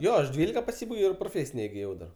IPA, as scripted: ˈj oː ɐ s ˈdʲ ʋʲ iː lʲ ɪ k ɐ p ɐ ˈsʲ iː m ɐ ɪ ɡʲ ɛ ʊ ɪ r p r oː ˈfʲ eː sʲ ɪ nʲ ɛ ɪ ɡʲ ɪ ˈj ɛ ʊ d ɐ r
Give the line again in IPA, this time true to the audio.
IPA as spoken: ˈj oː ɐ ʃ ˈdʲ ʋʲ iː lʲ ɪ k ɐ p ɐ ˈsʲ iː b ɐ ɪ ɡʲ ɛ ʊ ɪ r p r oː ˈfʲ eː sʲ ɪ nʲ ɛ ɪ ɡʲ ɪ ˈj ɛ ʊ d ɐ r

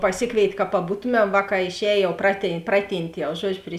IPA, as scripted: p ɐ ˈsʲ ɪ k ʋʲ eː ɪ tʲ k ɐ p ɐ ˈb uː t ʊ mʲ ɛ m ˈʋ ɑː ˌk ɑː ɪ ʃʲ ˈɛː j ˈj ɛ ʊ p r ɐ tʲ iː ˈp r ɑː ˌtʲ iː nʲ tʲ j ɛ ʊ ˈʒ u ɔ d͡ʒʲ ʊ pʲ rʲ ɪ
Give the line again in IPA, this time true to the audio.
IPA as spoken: p ɐ ˈsʲ ɪ k ʋʲ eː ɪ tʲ k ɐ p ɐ ˈb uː t ʊ mʲ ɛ m ˈʋ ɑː ˌk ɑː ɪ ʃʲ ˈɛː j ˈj ɛ ʊ p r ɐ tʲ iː ˈp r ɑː ˌtʲ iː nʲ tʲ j ɛ ʊ ˈʒ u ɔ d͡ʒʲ ʊ pʲ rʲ ɪ

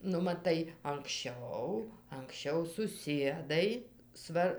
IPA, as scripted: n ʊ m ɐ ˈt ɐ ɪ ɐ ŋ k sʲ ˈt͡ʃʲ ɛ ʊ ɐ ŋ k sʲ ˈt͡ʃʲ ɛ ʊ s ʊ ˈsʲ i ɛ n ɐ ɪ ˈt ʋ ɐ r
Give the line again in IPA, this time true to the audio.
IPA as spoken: n ʊ m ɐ ˈt ɐ ɪ ɐ ŋ k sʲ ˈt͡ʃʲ ɛ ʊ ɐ ŋ k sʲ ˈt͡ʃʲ ɛ ʊ s ʊ ˈsʲ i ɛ d ɐ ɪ ˈs ʋ ɐ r

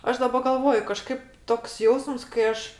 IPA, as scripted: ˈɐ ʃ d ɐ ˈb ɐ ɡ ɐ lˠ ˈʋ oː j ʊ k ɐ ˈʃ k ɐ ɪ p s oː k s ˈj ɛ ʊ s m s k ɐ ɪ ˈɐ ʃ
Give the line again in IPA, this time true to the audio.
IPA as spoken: ˈɐ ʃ d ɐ ˈb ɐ ɡ ɐ lˠ ˈʋ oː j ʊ k ɐ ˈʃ k ɐ ɪ p t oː k s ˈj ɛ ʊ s m s k ɐ ɪ ˈɐ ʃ

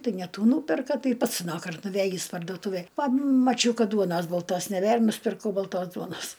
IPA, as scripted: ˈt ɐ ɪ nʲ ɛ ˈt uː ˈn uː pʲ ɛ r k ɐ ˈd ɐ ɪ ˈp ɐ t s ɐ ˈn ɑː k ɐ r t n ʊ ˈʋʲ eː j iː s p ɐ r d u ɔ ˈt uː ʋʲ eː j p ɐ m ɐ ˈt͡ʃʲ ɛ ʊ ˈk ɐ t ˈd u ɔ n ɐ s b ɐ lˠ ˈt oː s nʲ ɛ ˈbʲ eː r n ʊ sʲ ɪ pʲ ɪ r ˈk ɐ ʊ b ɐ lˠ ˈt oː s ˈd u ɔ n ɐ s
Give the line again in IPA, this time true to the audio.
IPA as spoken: ˈt ɐ ɪ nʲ ɛ ˈt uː ˈn uː pʲ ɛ r k ɐ ˈt ɐ ɪ ˈp ɐ t s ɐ ˈn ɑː k ɐ r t n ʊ ˈʋʲ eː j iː s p ɐ r d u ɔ ˈt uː ʋʲ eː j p ɐ m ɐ ˈt͡ʃʲ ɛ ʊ ˈk ɐ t ˈd u ɔ n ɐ s b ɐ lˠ ˈt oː s nʲ ɛ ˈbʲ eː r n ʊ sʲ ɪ pʲ ɪ r ˈk ɐ ʊ b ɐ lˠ ˈt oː s ˈd u ɔ n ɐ s

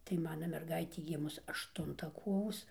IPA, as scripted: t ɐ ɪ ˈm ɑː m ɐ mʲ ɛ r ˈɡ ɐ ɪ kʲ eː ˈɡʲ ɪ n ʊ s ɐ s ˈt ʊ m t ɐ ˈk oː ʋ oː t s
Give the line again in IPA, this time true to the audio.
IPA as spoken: t ɐ ɪ ˈm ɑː n ɐ mʲ ɛ r ˈɡ ɐ ɪ tʲ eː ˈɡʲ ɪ m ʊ s ɐ ʃ ˈt ʊ n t ɐ ˈk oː ʋ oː s

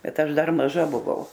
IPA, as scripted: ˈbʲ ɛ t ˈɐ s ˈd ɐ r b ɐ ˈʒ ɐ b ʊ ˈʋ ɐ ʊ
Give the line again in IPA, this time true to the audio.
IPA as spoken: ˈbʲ ɛ t ˈɐ ʃ ˈd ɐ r m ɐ ˈʒ ɐ b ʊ ˈʋ ɐ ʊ

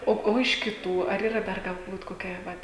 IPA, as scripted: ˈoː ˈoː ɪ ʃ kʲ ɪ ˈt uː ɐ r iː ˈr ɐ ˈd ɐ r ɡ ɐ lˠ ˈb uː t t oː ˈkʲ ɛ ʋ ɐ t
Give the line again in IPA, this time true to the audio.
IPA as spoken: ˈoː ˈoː ɪ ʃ kʲ ɪ ˈt uː ɐ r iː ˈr ɐ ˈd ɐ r ɡ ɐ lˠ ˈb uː t k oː ˈkʲ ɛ ʋ ɐ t

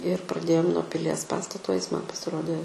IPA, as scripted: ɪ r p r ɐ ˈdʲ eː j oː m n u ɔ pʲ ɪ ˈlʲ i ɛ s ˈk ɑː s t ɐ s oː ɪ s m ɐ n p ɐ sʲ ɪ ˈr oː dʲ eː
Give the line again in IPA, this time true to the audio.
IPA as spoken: ɪ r p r ɐ ˈdʲ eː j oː m n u ɔ pʲ ɪ ˈlʲ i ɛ s ˈp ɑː s t ɐ t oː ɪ s m ɐ n p ɐ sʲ ɪ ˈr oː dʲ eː

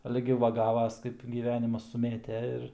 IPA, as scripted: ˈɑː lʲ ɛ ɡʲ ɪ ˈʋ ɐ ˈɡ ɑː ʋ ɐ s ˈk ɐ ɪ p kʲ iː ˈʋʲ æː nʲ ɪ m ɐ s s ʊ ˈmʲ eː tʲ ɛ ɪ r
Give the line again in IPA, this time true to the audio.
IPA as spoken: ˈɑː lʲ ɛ ɡʲ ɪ ˈʋ ɐ ˈɡ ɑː ʋ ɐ s ˈk ɐ ɪ p ɡʲ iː ˈʋʲ æː nʲ ɪ m ɐ s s ʊ ˈmʲ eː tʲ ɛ ɪ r

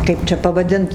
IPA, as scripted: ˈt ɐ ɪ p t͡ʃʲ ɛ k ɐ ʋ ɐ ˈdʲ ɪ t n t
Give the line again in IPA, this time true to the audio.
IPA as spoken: ˈk ɐ ɪ p t͡ʃʲ ɛ p ɐ ʋ ɐ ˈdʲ ɪ n t

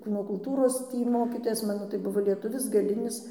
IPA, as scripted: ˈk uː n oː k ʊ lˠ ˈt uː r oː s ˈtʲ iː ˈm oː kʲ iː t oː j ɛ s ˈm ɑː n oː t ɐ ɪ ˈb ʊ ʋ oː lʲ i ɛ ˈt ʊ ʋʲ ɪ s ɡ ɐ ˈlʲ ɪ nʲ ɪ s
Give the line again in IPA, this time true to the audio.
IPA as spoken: ˈk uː n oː k ʊ lˠ ˈt uː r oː s ˈtʲ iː ˈm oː kʲ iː t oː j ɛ s ˈm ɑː n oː t ɐ ɪ ˈb ʊ ʋ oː lʲ i ɛ ˈt ʊ ʋʲ ɪ s ɡ ɐ ˈlʲ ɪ nʲ ɪ s

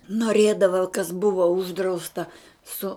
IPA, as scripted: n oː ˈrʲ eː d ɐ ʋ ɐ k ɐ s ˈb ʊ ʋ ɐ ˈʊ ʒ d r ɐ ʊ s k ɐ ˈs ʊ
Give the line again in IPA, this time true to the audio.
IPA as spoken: n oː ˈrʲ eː d ɐ ʋ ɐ k ɐ s ˈb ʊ ʋ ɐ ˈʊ ʒ d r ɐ ʊ s t ɐ ˈs ʊ

